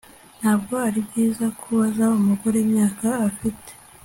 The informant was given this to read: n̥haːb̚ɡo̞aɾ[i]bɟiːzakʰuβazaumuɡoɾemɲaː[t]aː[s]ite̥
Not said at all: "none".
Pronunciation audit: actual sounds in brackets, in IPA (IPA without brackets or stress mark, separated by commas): i, k, f